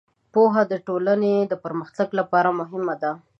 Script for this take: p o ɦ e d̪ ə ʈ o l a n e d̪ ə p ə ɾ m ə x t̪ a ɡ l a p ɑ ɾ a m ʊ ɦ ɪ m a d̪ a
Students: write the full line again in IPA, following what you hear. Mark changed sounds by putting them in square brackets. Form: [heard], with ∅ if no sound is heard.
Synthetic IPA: p o ɦ [a] d̪ ə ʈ o l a n e d̪ ə p ə ɾ m ə x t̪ a ɡ l a p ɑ ɾ a m ʊ ɦ ɪ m a d̪ a

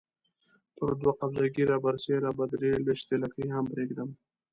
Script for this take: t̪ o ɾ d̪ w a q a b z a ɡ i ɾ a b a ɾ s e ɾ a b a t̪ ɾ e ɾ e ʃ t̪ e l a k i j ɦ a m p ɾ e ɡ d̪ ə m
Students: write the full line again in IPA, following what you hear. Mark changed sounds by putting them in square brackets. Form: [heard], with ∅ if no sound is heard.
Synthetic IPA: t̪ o ɾ d̪ w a q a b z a ɡ i ɾ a b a ɾ s e ɾ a b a [d̪] ɾ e [l] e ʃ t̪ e l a k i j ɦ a m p ɾ e ɡ d̪ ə m

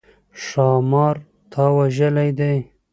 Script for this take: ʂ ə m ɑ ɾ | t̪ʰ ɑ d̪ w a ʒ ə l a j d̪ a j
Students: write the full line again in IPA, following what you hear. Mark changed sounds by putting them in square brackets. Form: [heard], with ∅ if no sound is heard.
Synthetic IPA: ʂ [ɑ] m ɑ ɾ | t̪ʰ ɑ [∅] w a ʒ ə l a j d̪ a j

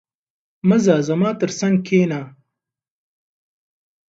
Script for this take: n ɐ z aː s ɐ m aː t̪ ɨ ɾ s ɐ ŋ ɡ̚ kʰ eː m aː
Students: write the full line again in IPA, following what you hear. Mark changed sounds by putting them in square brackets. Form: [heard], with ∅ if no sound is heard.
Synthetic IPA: [m] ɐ z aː [z] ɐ m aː t̪ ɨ ɾ s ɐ ŋ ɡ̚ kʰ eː [n] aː

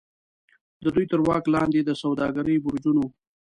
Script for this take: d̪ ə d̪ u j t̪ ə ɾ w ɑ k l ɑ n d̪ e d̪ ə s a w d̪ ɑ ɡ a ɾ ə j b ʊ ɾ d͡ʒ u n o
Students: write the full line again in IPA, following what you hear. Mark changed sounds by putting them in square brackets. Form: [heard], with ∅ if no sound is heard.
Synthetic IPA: d̪ ə d̪ u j t̪ ə ɾ w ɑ k l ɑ n d̪ e d̪ ə s a w d̪ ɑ ɡ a ɾ ə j b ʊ ɾ d͡ʒ u n o

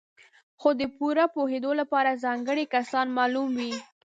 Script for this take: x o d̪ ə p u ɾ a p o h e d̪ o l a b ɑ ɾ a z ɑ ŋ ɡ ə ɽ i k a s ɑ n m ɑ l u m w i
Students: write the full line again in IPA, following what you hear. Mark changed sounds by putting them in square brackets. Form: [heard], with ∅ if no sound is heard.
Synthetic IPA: x o d̪ ə p u ɾ a p o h e d̪ o l a [p] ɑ ɾ a z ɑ ŋ ɡ ə ɽ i k a s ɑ n m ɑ l u m w i

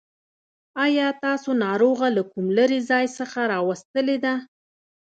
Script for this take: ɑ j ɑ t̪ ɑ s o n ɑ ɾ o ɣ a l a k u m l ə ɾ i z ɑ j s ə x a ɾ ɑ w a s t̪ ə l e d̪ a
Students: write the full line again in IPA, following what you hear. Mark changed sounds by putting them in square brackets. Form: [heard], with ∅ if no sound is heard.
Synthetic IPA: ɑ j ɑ t̪ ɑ s o n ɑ ɾ o ɣ a l a k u m l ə ɾ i z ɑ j s ə x a ɾ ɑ w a s t̪ ə l e d̪ a

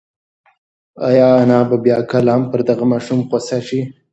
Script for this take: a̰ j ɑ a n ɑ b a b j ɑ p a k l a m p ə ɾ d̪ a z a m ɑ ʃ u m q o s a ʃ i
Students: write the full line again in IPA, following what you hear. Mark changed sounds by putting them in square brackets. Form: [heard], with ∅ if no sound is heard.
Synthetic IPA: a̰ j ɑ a n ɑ b a b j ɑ [k] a [∅] l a m p ə ɾ d̪ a [ɣ] a m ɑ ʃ u m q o s a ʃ i

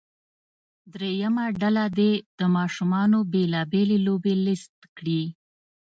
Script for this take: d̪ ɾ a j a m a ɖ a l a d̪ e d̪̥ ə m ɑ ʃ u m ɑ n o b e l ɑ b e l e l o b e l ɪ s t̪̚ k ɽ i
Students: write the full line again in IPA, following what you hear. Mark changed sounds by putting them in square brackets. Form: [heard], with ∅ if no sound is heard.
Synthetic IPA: d̪ ɾ [e] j a m a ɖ a l a d̪ e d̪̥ ə m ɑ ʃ u m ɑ n o b e l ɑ b e l e l o b e l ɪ s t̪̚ k ɽ i

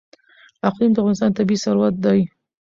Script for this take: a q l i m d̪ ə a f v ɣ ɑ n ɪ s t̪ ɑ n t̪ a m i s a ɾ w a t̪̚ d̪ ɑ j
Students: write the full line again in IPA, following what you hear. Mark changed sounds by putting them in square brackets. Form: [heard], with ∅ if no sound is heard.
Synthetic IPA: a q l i m d̪ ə a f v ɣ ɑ n ɪ s t̪ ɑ n t̪ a [b] i s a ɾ w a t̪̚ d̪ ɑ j

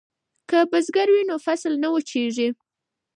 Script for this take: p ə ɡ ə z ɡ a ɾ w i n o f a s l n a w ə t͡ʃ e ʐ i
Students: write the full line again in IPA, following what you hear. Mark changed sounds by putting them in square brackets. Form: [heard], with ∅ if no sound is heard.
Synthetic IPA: [k] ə [b] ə z ɡ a ɾ w i n o f a s l n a w ə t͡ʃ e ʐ i

